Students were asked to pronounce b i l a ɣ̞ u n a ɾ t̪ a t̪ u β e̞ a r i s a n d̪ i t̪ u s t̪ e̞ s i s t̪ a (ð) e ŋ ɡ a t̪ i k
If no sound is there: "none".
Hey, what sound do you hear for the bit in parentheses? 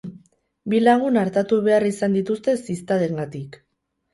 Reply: ð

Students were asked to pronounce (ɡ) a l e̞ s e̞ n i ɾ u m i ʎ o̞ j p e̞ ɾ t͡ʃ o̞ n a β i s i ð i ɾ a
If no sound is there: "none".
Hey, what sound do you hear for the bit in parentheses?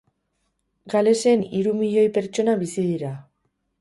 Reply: ɡ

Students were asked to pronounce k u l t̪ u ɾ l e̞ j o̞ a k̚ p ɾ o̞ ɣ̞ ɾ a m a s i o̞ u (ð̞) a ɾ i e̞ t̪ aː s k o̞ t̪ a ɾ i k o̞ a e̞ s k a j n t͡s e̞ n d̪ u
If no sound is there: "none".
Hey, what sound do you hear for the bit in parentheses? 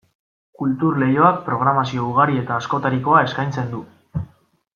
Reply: ɣ̞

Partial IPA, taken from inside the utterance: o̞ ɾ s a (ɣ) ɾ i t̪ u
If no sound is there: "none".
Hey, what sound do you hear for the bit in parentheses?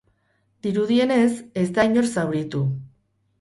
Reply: w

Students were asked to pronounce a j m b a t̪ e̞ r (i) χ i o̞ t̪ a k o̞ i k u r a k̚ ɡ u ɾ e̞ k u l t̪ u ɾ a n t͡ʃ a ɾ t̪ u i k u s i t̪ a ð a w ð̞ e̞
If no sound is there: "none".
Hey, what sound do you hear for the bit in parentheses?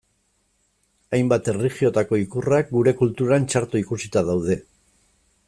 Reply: i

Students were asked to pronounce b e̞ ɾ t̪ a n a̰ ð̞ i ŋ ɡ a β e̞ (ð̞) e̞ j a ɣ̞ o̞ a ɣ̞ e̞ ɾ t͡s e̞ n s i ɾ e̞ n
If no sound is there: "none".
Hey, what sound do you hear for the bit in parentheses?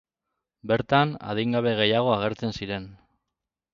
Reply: ɣ̞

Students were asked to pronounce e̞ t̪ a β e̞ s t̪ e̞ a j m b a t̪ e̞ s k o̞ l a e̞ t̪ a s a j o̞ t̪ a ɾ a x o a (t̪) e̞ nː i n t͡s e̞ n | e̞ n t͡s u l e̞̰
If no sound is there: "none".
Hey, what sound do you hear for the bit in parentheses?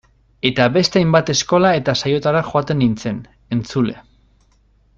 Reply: t̪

